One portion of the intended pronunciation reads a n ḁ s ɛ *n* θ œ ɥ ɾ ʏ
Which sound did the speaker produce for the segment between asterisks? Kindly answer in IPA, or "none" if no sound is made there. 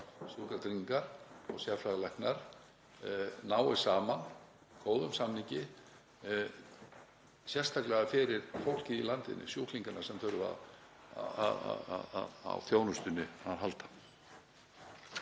m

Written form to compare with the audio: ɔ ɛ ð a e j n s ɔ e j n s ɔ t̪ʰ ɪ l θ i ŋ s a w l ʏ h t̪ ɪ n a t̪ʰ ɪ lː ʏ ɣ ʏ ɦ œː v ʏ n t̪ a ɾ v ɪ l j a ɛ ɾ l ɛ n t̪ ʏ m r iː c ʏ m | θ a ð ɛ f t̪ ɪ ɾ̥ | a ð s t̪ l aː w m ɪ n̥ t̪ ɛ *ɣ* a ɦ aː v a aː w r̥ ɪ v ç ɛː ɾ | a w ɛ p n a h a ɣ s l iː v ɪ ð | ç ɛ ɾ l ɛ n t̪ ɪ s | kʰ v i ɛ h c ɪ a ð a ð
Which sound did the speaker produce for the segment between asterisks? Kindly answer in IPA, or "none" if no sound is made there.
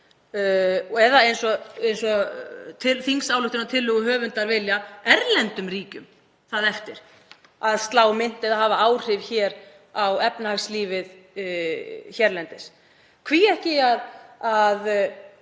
ð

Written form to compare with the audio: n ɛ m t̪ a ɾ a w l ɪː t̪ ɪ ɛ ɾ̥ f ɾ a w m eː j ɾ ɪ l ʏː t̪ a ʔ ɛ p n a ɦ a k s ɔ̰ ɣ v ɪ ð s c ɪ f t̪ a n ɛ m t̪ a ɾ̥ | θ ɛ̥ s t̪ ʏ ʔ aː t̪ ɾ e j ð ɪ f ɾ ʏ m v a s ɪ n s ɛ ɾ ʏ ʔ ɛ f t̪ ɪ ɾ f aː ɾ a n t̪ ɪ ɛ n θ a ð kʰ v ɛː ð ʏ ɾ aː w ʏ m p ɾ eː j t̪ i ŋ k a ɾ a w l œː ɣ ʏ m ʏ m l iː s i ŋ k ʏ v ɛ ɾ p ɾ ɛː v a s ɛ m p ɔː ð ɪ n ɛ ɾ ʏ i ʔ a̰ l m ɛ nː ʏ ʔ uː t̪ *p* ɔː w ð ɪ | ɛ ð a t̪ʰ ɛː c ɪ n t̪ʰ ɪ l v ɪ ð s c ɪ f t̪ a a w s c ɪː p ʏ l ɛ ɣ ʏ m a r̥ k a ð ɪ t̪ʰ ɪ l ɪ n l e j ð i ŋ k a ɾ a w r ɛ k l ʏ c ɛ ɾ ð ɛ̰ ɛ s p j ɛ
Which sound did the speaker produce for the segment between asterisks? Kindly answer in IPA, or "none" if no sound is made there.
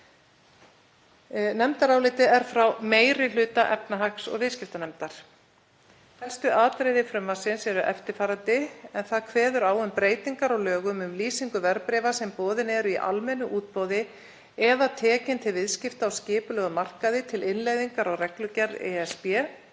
p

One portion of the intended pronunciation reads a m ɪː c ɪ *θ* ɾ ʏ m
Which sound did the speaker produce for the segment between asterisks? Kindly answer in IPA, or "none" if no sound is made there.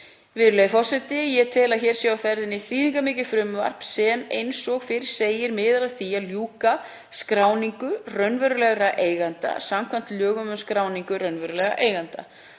f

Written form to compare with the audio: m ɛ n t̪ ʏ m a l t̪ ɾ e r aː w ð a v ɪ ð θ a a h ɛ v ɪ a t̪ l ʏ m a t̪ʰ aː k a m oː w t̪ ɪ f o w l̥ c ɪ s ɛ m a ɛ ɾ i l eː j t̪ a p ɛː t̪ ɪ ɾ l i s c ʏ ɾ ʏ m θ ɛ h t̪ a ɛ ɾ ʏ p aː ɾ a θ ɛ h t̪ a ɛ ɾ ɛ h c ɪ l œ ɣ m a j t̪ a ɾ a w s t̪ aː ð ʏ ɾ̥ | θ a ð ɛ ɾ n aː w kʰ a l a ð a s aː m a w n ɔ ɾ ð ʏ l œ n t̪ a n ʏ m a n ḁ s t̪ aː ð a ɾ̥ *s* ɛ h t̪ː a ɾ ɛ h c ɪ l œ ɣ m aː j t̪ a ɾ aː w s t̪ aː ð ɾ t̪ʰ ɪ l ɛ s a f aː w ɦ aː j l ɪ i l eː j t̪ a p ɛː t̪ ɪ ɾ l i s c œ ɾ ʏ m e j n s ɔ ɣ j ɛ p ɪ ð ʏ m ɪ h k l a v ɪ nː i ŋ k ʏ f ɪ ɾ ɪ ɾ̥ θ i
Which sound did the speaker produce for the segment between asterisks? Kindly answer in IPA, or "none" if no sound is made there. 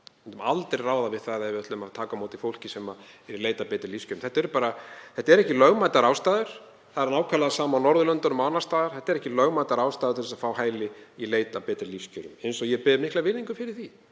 θ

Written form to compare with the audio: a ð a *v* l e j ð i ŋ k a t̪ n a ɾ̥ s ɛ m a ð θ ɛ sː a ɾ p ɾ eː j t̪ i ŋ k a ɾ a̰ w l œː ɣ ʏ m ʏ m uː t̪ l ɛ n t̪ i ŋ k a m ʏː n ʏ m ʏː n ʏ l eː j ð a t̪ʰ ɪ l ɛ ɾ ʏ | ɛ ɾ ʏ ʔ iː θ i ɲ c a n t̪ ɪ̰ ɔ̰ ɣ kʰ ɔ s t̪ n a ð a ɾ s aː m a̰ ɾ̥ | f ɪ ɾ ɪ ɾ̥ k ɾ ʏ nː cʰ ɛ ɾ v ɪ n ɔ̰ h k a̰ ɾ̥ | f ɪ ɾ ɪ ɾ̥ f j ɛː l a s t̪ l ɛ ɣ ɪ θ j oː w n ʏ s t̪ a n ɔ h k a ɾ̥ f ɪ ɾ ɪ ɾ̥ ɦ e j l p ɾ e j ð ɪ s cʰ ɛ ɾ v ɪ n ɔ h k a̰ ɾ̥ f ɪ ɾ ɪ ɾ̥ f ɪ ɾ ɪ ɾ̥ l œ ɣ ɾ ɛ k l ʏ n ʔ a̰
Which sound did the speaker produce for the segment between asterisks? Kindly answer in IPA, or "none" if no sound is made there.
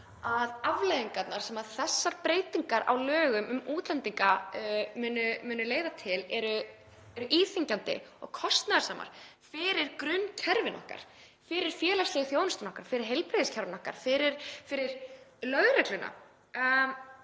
v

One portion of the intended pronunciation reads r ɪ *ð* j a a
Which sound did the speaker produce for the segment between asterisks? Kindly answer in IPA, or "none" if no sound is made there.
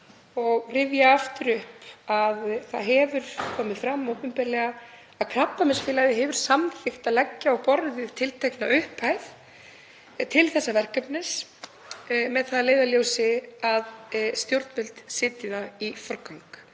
v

